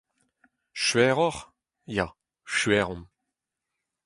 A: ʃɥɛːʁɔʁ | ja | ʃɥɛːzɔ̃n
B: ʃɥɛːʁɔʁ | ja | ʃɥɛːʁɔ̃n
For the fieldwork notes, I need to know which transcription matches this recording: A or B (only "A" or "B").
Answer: B